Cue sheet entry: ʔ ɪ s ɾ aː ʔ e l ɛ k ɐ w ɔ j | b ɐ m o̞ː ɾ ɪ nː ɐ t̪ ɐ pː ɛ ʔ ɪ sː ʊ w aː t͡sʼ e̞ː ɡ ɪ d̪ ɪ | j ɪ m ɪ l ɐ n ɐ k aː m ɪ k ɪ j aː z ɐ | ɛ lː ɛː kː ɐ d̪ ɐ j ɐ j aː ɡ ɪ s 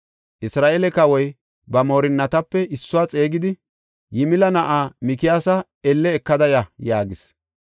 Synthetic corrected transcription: ʔ ɪ s ɾ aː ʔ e l ɛ k ɐ w ɔ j | b ɐ m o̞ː ɾ ɪ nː ɐ t̪ ɐ pː ɛ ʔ ɪ sː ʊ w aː t͡sʼ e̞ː ɡ ɪ d̪ ɪ | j ɪ m ɪ l ɐ n ɐ ʔ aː m ɪ k ɪ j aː s ɐ | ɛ lː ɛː kː ɐ d̪ ɐ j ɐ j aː ɡ ɪ s